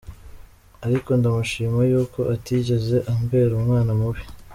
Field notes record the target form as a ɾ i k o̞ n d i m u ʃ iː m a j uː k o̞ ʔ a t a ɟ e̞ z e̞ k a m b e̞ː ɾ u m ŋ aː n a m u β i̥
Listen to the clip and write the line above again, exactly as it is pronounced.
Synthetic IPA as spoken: a ɾ i k o̞ n d a m u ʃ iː m a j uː k o̞ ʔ a t i ɟ e̞ z e̞ ʔ a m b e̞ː ɾ u m ŋ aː n a m u β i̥